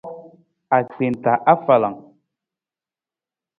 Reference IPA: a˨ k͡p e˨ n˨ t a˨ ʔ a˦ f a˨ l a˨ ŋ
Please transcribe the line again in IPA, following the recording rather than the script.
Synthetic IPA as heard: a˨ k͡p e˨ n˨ t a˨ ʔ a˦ f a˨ l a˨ ŋ